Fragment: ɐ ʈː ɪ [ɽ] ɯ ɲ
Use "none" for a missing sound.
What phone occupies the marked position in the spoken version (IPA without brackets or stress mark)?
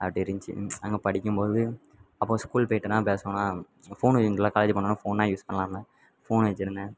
ɾ